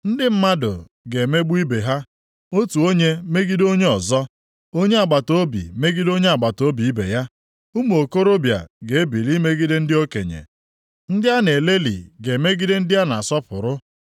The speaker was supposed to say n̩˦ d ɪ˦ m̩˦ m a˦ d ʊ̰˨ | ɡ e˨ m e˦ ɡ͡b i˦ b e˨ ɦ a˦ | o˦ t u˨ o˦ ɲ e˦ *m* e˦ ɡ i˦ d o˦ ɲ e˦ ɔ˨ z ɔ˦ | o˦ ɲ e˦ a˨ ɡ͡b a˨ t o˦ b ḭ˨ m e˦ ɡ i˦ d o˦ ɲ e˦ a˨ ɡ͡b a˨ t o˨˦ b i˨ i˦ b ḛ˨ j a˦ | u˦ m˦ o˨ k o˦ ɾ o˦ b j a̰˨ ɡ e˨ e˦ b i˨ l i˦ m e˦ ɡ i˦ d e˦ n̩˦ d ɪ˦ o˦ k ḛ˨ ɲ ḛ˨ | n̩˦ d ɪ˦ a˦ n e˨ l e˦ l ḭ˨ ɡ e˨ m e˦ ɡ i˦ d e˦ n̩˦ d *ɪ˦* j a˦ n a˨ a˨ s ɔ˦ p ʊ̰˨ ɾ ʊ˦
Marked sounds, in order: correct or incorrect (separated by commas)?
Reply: correct, correct